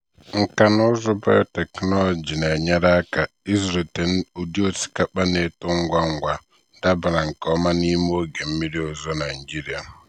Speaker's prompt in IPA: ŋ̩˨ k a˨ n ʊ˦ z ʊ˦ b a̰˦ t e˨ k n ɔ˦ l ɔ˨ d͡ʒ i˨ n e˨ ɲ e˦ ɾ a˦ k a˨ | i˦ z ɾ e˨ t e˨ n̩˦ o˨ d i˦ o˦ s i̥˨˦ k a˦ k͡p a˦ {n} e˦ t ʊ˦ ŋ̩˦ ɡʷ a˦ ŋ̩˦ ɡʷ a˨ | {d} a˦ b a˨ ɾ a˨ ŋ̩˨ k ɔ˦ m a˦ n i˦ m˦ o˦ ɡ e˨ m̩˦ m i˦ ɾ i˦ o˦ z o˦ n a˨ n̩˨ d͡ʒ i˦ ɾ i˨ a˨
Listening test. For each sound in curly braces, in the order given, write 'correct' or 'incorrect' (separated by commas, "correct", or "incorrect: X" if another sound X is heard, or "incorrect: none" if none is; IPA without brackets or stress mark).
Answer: correct, correct